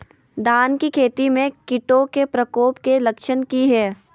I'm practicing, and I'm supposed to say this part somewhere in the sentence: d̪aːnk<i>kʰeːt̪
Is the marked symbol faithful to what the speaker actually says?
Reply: yes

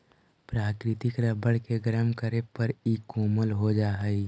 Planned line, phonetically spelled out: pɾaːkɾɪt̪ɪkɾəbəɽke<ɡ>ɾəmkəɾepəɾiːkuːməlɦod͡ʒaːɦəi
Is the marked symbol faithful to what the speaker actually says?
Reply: yes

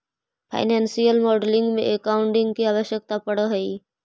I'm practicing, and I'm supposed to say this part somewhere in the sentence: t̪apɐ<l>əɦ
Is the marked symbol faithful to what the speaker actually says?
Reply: no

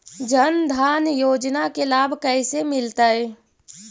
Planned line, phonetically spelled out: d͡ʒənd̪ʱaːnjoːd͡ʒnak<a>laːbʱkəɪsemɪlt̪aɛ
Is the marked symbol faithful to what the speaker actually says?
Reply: no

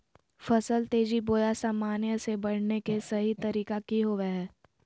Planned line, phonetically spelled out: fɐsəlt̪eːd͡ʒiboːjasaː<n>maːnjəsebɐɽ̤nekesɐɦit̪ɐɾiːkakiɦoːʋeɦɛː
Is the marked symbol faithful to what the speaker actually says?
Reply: no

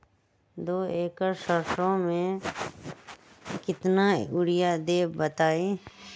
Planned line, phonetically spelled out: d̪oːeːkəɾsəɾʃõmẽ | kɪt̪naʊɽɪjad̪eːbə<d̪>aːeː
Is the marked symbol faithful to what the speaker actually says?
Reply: no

